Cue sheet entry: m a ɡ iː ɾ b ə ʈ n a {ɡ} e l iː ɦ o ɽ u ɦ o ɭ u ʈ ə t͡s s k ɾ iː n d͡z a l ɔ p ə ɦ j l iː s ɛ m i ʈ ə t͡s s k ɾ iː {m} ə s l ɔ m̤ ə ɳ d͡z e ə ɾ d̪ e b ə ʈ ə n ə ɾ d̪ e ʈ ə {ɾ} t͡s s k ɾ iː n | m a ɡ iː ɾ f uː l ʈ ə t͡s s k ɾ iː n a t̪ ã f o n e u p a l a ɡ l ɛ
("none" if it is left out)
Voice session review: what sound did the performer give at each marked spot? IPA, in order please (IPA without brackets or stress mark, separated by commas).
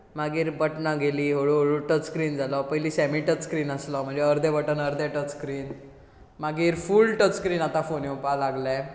ɡ, n, none